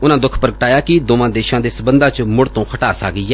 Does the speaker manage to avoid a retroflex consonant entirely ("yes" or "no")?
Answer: no